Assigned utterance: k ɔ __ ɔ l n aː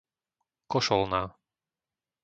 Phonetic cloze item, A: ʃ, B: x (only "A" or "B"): A